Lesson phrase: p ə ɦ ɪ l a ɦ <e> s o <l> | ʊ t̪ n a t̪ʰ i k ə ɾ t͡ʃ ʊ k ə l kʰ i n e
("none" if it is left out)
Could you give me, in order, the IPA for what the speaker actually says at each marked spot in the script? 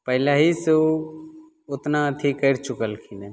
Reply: i, none

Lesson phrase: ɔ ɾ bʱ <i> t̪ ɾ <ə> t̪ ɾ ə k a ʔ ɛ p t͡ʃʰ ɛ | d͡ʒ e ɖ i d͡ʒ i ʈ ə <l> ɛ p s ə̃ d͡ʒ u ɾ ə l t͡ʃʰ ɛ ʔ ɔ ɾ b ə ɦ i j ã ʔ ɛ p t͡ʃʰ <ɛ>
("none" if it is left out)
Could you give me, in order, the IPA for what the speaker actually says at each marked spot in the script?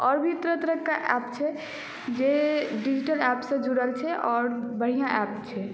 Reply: i, ə, l, ɛ

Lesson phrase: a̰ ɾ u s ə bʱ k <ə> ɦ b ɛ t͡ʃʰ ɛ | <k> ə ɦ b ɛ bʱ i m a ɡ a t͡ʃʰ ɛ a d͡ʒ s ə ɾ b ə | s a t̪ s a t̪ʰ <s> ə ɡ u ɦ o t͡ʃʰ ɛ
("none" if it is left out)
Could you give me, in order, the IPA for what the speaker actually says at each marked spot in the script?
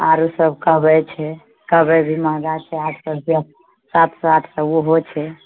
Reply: ə, k, s

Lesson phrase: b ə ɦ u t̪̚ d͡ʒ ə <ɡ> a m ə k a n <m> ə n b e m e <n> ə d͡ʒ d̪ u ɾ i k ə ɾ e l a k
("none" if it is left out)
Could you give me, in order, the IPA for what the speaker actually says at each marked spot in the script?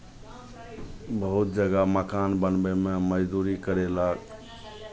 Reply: ɡ, b, m

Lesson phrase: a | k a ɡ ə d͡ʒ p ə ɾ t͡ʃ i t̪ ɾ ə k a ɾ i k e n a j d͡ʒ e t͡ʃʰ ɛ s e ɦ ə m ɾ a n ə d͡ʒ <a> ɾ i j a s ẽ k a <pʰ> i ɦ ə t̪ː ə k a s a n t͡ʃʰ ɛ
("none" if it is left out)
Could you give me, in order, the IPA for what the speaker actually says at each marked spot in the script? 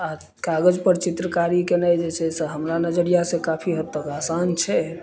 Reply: ə, pʰ

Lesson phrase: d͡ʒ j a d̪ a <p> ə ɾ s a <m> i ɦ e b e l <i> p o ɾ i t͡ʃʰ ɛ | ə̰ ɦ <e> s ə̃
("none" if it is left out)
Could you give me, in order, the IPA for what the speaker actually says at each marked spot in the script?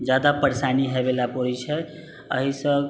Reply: p, n, a, i

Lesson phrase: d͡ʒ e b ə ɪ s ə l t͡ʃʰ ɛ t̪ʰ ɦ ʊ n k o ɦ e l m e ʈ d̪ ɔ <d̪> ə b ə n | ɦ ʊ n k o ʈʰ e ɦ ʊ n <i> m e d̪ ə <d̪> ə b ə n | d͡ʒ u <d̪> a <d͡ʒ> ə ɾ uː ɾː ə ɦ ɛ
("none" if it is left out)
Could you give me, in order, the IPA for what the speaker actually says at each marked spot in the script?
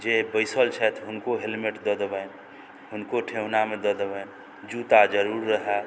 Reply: d̪, a, d̪, t̪, d͡ʒ

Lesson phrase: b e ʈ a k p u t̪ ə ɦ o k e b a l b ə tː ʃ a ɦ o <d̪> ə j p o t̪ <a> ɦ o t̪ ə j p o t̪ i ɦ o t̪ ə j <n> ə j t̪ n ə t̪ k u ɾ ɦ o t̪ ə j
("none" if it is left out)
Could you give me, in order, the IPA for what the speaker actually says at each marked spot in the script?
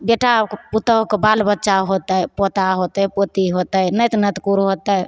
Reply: t̪, a, n

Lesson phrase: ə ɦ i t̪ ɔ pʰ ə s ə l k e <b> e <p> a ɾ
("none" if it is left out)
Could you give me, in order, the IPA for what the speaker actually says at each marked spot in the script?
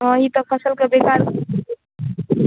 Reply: b, k

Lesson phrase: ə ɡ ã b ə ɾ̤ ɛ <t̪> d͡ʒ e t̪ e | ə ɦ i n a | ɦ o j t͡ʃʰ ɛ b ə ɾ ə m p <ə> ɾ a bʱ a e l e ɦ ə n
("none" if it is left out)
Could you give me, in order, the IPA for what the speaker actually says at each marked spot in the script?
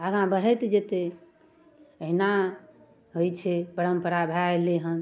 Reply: t̪, ə

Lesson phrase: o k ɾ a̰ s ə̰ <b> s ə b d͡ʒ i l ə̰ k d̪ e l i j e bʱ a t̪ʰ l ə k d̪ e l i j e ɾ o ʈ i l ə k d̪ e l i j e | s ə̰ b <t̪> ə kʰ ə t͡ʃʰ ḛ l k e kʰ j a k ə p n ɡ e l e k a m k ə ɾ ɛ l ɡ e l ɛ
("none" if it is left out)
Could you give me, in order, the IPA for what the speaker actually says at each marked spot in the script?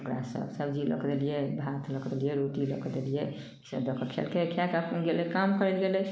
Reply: b, d̪

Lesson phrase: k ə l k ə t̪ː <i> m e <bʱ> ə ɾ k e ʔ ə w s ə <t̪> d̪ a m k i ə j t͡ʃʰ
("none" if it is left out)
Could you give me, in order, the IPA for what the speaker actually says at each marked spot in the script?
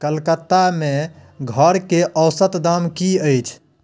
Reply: a, ɡʱ, t̪

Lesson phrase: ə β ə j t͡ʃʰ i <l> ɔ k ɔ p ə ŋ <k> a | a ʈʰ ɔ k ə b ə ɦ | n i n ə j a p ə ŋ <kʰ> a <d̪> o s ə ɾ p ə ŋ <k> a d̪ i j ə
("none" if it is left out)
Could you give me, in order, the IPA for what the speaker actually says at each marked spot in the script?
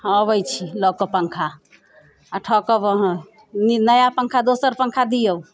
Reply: l, kʰ, kʰ, d̪, kʰ

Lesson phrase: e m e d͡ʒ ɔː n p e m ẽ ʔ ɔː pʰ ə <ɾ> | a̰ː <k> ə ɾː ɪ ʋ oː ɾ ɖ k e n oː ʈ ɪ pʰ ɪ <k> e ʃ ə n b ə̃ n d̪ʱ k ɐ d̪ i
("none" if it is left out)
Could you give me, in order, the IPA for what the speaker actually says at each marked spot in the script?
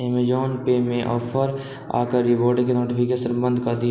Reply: ɾ, k, k

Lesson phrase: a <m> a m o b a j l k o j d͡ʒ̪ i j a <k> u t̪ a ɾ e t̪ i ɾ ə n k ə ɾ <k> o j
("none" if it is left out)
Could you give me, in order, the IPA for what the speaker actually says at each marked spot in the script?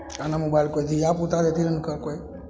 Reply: n, p, k

